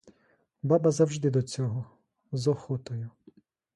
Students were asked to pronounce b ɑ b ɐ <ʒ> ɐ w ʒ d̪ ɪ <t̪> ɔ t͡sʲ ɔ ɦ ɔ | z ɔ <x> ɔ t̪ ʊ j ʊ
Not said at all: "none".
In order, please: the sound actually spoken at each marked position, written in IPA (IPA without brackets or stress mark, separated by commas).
z, d̪, x